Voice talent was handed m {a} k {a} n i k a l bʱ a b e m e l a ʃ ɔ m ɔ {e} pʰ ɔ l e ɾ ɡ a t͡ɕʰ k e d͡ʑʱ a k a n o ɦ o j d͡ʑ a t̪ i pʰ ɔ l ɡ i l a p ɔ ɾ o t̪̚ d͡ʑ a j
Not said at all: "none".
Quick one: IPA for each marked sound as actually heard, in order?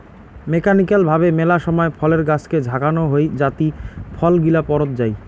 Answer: e, a, e

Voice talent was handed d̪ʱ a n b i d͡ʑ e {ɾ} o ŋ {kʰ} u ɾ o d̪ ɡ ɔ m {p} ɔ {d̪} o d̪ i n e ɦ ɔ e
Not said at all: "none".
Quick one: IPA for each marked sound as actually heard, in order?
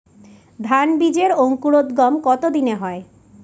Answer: ɾ, k, k, t̪

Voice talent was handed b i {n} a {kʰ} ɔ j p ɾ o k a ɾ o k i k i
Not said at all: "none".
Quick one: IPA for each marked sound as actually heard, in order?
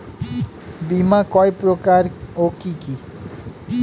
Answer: m, k

